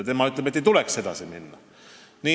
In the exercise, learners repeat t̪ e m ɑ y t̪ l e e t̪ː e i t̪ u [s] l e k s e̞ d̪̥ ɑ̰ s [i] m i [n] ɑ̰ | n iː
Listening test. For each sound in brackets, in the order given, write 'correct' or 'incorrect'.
incorrect, correct, incorrect

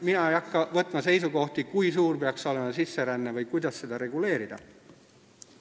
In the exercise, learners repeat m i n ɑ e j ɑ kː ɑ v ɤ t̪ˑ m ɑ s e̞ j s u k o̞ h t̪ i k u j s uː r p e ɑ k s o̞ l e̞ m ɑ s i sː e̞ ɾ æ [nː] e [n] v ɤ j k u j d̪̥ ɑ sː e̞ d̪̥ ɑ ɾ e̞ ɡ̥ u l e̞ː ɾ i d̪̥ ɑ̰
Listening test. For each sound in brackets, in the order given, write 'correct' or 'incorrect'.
correct, incorrect

